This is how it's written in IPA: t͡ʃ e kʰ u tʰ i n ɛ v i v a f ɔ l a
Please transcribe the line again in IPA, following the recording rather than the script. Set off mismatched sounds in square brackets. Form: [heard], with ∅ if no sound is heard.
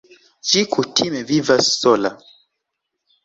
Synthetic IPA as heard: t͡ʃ [i] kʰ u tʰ i [m] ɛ v i v a [s] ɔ l a